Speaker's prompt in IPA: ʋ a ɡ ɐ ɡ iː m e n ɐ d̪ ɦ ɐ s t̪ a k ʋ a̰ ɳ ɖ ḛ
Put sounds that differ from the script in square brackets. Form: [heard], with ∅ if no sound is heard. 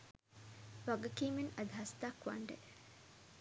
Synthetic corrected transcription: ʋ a ɡ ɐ [k] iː m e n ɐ d̪ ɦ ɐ s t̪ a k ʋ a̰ ɳ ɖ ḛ